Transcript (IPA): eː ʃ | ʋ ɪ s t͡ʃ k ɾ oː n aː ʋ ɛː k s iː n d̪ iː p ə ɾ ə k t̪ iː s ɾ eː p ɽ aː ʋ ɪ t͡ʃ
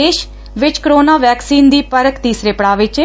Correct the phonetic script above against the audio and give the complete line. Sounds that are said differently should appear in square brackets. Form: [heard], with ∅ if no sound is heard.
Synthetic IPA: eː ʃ | ʋ ɪ [∅] t͡ʃ k ɾ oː n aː ʋ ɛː k s iː n d̪ iː p ə ɾ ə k t̪ iː s ɾ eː p ɽ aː ʋ ɪ t͡ʃ